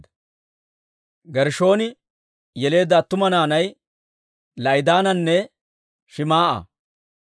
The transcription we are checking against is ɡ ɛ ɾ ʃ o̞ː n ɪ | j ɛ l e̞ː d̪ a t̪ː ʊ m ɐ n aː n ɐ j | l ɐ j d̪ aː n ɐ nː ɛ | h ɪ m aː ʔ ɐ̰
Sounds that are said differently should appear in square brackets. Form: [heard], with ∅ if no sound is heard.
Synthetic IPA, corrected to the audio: ɡ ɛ ɾ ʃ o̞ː n ɪ | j ɛ l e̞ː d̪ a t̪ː ʊ m ɐ n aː n ɐ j | l ɐ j d̪ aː n ɐ nː ɛ | [ʃ] ɪ m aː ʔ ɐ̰